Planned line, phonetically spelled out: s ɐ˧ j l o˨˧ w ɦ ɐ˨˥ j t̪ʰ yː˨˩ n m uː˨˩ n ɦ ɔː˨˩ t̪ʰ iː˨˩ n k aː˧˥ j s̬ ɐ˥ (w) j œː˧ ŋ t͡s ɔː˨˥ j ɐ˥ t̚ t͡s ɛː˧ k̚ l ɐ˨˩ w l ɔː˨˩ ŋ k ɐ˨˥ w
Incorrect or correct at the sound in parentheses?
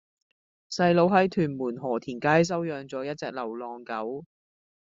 correct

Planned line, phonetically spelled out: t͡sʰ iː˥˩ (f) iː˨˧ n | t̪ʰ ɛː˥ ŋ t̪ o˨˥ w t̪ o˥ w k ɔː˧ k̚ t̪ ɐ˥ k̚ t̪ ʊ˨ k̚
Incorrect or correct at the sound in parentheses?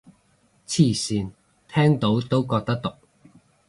incorrect: s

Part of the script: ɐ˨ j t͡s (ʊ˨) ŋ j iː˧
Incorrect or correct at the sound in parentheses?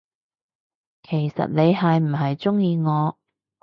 incorrect: ʊ˥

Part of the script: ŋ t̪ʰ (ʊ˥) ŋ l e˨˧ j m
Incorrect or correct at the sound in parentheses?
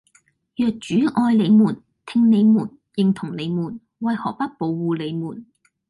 incorrect: ʊ˨˩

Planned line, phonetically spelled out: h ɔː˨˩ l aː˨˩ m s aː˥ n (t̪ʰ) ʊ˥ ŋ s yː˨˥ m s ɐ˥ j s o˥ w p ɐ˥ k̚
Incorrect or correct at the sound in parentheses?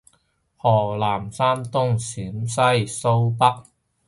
incorrect: t̪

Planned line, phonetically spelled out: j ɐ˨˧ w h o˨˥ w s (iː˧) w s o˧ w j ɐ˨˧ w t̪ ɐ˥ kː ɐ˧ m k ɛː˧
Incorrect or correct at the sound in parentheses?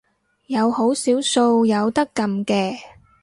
incorrect: iː˨˥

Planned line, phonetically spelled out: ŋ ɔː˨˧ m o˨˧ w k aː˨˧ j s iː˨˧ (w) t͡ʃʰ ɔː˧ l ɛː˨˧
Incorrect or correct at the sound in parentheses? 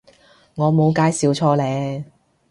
correct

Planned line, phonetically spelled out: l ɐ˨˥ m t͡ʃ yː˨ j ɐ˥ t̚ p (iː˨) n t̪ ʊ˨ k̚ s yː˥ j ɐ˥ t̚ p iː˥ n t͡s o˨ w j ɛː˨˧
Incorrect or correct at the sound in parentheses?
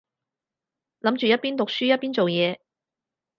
incorrect: iː˥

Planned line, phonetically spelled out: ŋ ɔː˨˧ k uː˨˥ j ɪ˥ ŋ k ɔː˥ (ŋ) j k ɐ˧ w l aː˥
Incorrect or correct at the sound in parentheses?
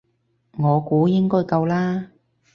incorrect: none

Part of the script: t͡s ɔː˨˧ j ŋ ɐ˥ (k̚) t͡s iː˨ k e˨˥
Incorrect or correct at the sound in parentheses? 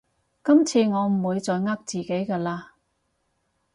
correct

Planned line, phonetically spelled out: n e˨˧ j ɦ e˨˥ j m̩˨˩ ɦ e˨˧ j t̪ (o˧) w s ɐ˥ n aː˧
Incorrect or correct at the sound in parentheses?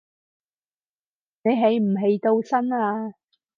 correct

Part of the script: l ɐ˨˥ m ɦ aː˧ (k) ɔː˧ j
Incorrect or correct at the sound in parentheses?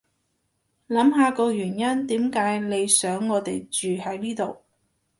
correct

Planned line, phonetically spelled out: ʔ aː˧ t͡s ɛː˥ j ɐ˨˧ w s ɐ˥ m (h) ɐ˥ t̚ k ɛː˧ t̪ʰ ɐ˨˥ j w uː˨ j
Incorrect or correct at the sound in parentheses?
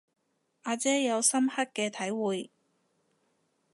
correct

